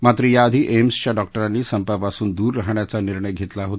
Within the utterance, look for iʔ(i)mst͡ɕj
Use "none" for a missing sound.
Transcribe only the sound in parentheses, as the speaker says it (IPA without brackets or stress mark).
e